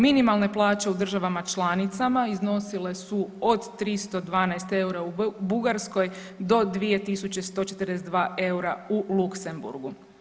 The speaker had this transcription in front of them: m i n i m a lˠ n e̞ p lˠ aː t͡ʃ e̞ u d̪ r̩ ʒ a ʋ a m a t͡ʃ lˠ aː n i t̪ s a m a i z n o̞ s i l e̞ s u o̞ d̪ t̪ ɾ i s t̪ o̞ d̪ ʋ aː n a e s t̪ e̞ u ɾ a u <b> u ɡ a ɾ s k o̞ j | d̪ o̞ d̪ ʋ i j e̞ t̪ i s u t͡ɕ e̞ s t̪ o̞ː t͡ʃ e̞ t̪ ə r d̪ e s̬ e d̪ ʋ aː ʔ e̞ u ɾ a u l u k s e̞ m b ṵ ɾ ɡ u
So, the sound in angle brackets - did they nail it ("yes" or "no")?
yes